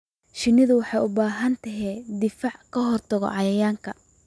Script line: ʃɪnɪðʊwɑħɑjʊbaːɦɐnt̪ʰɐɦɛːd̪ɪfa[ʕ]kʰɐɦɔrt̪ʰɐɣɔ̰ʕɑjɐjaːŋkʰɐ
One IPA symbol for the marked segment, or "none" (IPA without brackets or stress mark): ʕ